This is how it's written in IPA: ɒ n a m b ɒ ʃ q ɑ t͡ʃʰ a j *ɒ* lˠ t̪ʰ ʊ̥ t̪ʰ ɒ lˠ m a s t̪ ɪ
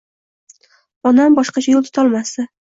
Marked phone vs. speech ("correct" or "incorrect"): incorrect